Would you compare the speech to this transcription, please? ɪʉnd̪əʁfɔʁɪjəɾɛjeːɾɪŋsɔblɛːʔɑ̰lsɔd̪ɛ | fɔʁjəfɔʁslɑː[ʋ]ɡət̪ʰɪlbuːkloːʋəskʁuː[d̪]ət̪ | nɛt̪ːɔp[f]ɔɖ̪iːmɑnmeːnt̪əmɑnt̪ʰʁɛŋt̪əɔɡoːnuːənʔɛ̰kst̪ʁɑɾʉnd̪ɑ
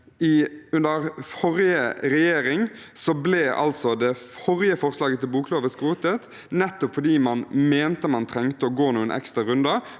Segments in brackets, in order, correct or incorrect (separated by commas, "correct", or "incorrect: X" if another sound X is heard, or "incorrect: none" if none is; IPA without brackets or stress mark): incorrect: none, incorrect: t̪, correct